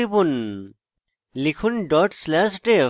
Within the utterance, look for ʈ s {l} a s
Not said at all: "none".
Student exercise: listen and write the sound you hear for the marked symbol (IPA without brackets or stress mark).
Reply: l